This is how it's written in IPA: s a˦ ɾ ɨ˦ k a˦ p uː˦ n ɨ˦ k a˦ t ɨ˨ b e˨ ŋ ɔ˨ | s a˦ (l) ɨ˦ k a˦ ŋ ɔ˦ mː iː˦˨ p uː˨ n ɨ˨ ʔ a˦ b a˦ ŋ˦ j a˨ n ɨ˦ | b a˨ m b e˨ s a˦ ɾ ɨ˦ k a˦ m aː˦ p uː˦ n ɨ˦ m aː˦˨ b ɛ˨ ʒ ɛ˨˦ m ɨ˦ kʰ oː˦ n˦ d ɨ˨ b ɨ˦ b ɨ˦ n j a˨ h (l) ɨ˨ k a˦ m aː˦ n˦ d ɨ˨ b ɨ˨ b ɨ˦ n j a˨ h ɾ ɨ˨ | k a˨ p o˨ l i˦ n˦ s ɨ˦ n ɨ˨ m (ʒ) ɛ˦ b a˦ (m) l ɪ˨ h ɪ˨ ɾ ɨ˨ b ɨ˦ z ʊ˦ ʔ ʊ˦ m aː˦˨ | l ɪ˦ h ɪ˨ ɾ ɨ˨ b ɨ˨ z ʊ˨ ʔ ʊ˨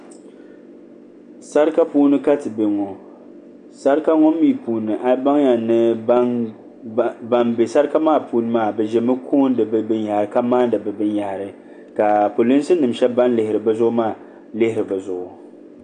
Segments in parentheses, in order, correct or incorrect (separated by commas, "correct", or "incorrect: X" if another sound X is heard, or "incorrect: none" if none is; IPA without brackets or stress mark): incorrect: ɾ, incorrect: ɾ, incorrect: ʃ, incorrect: n